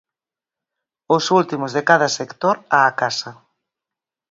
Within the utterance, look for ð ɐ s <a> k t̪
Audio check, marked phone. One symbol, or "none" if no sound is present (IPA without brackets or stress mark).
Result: e